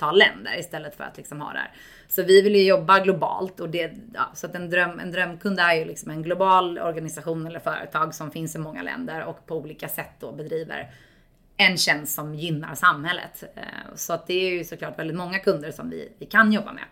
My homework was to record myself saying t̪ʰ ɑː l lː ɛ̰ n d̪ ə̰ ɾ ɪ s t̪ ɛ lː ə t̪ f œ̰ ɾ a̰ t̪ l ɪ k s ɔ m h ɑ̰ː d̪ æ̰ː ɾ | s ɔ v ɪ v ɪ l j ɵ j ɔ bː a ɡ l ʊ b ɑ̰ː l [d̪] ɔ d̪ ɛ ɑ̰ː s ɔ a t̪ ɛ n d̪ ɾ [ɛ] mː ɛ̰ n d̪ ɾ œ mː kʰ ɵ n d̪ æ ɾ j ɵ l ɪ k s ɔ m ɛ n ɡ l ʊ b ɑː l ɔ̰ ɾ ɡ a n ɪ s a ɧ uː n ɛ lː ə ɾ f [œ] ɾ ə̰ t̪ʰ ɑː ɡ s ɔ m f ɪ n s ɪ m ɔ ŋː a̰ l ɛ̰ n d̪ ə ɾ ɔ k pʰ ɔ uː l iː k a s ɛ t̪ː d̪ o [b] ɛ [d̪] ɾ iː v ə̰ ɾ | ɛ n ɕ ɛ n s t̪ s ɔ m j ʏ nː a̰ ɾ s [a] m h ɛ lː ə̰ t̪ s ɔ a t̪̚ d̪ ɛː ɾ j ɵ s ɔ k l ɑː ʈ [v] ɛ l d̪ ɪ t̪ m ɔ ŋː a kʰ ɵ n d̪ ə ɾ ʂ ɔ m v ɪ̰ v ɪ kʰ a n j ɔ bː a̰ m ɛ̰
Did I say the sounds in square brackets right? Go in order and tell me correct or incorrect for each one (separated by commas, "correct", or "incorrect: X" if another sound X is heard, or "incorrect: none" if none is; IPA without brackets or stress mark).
incorrect: t̪, incorrect: œ, incorrect: œː, correct, correct, correct, correct